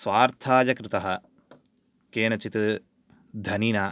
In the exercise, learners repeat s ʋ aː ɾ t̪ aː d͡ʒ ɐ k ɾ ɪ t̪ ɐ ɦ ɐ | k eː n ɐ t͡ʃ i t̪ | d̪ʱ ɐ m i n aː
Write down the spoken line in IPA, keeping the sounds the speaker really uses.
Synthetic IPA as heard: s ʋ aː ɾ t̪ʰ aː d͡ʒ ɐ k ɾ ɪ t̪ ɐ ɦ ɐ | k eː n ɐ t͡ʃ i t̪ | d̪ʱ ɐ n i n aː